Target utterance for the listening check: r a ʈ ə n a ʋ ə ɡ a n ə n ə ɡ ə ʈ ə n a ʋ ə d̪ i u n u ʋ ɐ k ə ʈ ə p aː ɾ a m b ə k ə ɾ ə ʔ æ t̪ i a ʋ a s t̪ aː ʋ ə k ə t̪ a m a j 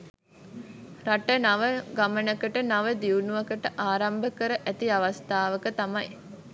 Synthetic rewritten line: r a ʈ ə n a ʋ ə ɡ a m ə n ə k ə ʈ ə n a ʋ ə d̪ i u n u ʋ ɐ k ə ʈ ə ʔ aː ɾ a m b ə k ə ɾ ə ʔ æ t̪ i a ʋ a s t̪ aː ʋ ə k ə t̪ a m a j